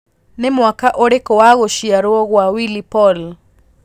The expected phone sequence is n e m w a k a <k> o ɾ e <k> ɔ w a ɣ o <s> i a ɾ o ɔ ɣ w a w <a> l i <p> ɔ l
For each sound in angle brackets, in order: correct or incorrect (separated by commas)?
incorrect, correct, incorrect, incorrect, correct